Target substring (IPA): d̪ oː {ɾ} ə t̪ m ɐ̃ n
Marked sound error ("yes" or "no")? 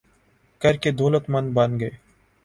yes